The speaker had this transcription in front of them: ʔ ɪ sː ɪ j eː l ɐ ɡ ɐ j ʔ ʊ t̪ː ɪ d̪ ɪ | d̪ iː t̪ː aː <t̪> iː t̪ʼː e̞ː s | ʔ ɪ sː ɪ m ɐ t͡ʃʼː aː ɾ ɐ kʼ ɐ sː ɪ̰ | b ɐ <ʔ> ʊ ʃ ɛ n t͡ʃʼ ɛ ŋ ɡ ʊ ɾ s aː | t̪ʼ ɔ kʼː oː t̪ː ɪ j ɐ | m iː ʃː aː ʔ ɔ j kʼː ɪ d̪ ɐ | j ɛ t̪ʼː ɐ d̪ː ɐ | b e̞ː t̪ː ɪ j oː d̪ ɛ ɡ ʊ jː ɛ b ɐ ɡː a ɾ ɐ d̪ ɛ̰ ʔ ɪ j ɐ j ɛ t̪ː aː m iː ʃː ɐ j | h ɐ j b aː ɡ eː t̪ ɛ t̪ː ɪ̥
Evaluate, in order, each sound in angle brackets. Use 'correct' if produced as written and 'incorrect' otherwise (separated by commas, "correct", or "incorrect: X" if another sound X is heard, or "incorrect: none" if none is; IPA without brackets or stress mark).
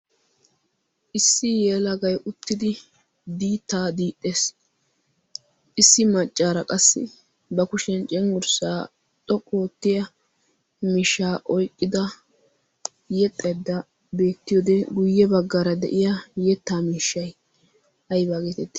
incorrect: d̪, incorrect: k